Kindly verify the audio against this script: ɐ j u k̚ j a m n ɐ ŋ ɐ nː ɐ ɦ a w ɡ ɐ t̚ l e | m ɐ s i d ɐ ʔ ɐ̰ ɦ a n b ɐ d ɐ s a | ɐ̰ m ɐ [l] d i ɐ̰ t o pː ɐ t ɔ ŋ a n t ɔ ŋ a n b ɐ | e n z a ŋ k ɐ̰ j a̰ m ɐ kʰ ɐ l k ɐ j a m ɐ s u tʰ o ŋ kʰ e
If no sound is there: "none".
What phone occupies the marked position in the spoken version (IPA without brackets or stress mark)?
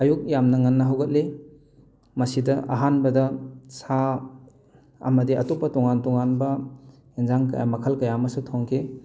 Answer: none